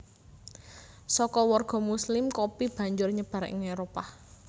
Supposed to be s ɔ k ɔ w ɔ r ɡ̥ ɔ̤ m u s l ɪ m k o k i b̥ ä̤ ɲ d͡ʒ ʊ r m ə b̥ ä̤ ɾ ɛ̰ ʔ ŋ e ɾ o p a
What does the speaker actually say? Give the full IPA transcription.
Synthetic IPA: s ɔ k ɔ w ɔ r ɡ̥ ɔ̤ m u s l ɪ m k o p i b̥ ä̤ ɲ d͡ʒ ʊ r ɲ ə b̥ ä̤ ɾ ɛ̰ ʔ ŋ e ɾ o p a